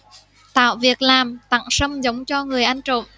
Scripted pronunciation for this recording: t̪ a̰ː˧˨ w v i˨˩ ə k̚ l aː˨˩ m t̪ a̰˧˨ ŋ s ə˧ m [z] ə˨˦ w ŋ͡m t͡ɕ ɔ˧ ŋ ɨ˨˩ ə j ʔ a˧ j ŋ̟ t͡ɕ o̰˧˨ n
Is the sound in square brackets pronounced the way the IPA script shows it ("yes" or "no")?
yes